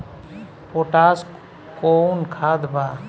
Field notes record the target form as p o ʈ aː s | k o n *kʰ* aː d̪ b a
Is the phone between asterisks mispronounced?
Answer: no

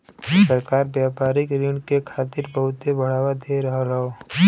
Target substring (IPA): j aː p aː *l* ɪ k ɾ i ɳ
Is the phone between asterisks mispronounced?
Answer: yes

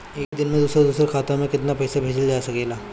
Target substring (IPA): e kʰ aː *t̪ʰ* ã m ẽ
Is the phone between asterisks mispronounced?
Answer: yes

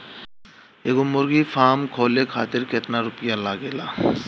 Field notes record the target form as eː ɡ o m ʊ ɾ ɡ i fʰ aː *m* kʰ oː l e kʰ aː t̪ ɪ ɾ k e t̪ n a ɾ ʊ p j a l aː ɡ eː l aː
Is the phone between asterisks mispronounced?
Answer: no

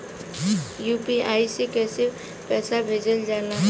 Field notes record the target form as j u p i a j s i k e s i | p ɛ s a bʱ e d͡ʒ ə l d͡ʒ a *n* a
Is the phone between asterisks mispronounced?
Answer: no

